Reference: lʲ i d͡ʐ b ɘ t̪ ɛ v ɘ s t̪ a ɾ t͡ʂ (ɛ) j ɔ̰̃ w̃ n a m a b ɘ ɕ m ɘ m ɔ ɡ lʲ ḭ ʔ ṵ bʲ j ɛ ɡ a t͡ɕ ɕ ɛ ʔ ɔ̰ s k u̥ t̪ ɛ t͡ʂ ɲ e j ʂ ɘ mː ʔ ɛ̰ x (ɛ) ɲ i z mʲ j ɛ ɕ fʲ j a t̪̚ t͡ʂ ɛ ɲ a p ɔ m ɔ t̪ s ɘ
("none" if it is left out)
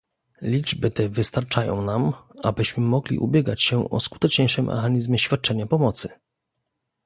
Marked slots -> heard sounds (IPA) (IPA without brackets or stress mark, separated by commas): a, a